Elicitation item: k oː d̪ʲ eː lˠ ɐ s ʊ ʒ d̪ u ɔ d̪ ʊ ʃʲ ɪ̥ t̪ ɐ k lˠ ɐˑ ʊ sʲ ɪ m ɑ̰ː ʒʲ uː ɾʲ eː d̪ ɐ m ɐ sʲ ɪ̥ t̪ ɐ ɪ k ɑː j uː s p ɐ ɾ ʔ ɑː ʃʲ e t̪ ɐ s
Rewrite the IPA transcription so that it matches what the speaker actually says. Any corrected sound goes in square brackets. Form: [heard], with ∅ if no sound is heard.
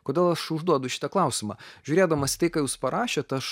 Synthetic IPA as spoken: k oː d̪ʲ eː lˠ ɐ [ʃ] ʊ ʒ d̪ u ɔ d̪ ʊ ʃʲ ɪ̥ t̪ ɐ k lˠ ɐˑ ʊ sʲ ɪ m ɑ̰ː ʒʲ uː ɾʲ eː d̪ ɐ m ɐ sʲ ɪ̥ t̪ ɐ ɪ k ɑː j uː s p ɐ ɾ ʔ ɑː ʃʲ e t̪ ɐ [ʃ]

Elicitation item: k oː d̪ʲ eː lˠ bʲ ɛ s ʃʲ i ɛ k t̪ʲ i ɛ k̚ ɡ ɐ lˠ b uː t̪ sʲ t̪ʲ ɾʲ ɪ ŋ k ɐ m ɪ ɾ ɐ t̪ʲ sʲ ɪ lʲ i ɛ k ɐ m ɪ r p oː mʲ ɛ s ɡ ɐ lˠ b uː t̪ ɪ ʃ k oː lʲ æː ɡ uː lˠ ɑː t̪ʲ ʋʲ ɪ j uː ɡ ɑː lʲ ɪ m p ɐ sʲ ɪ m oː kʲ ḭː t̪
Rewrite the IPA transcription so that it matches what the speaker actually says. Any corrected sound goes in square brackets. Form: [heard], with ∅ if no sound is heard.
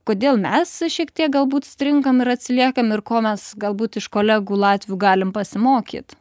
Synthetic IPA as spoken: k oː d̪ʲ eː lˠ [mʲ] ɛ s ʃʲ i ɛ k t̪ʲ i ɛ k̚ ɡ ɐ lˠ b uː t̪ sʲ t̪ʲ ɾʲ ɪ ŋ k ɐ m ɪ ɾ ɐ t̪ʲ sʲ ɪ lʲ i ɛ k ɐ m ɪ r [k] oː mʲ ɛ s ɡ ɐ lˠ b uː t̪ ɪ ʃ k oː lʲ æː ɡ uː lˠ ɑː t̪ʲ ʋʲ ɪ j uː ɡ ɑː lʲ ɪ m p ɐ sʲ ɪ m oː kʲ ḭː t̪

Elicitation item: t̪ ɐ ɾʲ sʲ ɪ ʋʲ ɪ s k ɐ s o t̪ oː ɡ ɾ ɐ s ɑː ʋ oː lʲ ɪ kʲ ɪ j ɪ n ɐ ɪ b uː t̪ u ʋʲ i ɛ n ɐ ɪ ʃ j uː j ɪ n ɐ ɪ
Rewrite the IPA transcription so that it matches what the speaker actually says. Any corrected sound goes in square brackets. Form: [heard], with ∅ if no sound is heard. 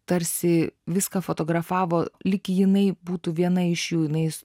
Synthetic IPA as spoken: t̪ ɐ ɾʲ sʲ ɪ ʋʲ ɪ s k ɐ [f] o t̪ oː ɡ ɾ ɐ [f] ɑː ʋ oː lʲ ɪ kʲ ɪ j ɪ n ɐ ɪ b uː t̪ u ʋʲ i ɛ n ɐ ɪ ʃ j uː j ɪ n ɐ ɪ

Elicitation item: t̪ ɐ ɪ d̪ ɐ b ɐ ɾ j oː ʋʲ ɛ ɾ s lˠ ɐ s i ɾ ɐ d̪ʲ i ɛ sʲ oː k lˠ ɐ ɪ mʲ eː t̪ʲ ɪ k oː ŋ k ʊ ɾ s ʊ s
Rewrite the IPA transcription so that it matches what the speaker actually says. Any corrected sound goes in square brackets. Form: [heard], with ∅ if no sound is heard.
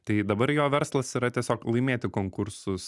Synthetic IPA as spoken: t̪ ɐ ɪ d̪ ɐ b ɐ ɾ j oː ʋʲ ɛ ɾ s lˠ ɐ s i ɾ ɐ [t̪ʲ] i ɛ sʲ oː k lˠ ɐ ɪ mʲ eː t̪ʲ ɪ k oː ŋ k ʊ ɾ s ʊ s

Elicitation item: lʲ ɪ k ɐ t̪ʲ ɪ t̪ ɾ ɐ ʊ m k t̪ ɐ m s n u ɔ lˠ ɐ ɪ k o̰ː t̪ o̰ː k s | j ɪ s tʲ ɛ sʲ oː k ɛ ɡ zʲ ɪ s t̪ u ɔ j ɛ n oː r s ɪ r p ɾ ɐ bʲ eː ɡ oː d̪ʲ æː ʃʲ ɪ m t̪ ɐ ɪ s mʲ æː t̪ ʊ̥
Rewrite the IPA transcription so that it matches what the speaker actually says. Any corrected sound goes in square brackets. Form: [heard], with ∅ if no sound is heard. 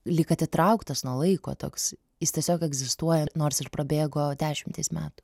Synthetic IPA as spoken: lʲ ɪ k ɐ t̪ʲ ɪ t̪ ɾ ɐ ʊ [∅] k t̪ ɐ [∅] s n u ɔ lˠ ɐ ɪ k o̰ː t̪ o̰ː k s | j ɪ s tʲ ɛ sʲ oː k ɛ ɡ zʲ ɪ s t̪ u ɔ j ɛ n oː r s ɪ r p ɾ ɐ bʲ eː ɡ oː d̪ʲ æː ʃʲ ɪ m t̪ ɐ ɪ s mʲ æː t̪ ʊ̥

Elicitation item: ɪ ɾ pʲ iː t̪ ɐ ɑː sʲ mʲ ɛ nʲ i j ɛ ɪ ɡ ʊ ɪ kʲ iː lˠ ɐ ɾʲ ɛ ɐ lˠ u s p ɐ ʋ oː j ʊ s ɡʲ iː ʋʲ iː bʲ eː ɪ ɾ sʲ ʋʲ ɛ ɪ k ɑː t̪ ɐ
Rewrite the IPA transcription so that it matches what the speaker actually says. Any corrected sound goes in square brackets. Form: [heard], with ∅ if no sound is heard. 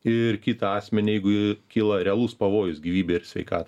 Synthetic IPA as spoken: ɪ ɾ [kʲ] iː t̪ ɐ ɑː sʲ mʲ ɛ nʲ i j ɛ ɪ ɡ ʊ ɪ kʲ iː lˠ ɐ ɾʲ ɛ ɐ lˠ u s p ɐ ʋ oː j ʊ s ɡʲ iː ʋʲ iː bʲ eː ɪ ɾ sʲ ʋʲ ɛ ɪ k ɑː t̪ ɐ

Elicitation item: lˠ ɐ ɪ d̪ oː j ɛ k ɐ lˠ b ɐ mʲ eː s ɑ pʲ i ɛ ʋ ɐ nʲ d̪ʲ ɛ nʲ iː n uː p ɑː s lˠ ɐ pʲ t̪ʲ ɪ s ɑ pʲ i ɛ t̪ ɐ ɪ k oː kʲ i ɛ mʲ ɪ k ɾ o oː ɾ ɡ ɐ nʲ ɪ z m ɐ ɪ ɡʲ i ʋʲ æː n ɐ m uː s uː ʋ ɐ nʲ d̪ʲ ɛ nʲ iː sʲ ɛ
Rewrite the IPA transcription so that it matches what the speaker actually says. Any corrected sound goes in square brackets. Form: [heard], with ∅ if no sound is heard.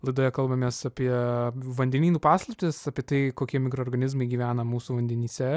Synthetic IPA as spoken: lˠ ɐ ɪ d̪ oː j ɛ k ɐ lˠ b ɐ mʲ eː s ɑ pʲ i ɛ ʋ ɐ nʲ d̪ʲ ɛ nʲ iː n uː p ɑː s lˠ ɐ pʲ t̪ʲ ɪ s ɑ pʲ i ɛ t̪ ɐ ɪ k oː kʲ i ɛ mʲ ɪ k ɾ o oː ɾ ɡ ɐ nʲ ɪ z m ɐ ɪ ɡʲ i ʋʲ æː n ɐ m uː s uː ʋ ɐ nʲ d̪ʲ ɛ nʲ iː sʲ ɛ

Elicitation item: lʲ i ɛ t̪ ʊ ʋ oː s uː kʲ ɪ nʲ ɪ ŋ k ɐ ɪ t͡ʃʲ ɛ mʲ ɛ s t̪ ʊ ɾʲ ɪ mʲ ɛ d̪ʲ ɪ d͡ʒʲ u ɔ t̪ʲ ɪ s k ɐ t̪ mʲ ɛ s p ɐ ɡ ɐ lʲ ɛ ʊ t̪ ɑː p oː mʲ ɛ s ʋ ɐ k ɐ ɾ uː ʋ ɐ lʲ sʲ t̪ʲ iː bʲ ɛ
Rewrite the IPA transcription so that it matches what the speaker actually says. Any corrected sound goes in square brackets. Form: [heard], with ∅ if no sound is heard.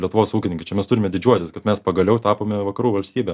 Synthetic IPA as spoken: lʲ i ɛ t̪ ʊ ʋ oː s uː kʲ ɪ nʲ ɪ ŋ k ɐ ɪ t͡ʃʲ ɛ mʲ ɛ s t̪ ʊ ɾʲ ɪ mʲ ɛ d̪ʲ ɪ d͡ʒʲ u ɔ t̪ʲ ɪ s k ɐ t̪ mʲ ɛ s p ɐ ɡ ɐ lʲ ɛ ʊ t̪ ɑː p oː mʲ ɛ [∅] ʋ ɐ k ɐ ɾ uː ʋ ɐ lʲ sʲ t̪ʲ iː bʲ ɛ

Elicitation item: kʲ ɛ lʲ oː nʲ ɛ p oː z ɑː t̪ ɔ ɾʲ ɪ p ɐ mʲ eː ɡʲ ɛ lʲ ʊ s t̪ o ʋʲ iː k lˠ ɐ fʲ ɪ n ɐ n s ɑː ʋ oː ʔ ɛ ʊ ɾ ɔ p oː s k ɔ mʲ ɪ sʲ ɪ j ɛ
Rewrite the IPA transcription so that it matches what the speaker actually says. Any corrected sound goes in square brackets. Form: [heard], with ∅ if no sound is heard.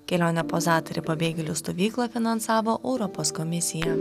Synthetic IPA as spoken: kʲ ɛ lʲ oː nʲ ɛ p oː z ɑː t̪ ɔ ɾʲ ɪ p ɐ [bʲ] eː ɡʲ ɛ lʲ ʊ s t̪ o ʋʲ iː k lˠ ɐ fʲ ɪ n ɐ n s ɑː ʋ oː ʔ ɛ ʊ ɾ ɔ p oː s k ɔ mʲ ɪ sʲ ɪ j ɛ

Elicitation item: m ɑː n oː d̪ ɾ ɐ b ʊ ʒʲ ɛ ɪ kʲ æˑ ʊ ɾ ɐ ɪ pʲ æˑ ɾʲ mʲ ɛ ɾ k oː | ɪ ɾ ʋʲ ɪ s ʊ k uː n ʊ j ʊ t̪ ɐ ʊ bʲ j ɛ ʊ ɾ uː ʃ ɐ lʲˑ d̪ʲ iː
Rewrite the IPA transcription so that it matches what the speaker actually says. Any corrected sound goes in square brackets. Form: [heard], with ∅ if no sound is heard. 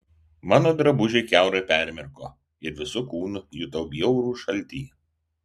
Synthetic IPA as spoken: m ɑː n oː d̪ ɾ ɐ b ʊ ʒʲ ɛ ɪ kʲ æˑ ʊ ɾ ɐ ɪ pʲ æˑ ɾʲ mʲ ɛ ɾ k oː | ɪ ɾ ʋʲ ɪ s ʊ k uː n ʊ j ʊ t̪ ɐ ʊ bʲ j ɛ ʊ ɾ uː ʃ ɐ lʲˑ [t̪ʲ] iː

